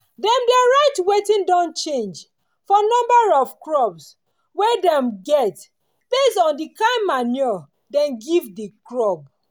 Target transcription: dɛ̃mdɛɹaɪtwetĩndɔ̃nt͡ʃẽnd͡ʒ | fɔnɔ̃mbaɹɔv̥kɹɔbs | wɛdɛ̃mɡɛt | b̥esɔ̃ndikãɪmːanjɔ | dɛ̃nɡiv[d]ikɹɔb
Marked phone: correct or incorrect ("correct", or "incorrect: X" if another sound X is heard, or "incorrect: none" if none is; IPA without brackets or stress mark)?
correct